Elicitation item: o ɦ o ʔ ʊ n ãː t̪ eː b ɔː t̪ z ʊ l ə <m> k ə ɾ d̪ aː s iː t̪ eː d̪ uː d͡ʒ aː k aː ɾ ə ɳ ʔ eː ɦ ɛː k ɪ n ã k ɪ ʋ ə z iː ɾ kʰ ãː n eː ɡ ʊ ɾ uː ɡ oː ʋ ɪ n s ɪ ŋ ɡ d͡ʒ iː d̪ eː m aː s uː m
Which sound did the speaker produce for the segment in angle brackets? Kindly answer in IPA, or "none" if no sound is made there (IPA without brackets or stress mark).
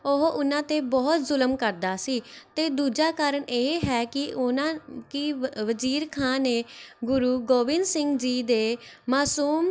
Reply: m